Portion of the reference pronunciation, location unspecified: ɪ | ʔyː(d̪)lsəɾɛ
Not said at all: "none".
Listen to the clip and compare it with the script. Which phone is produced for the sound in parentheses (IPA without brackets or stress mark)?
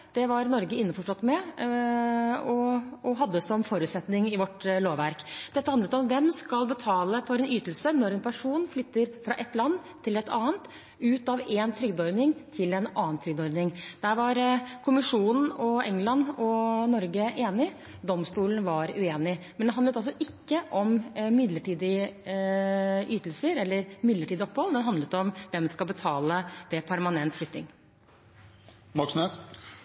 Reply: t̪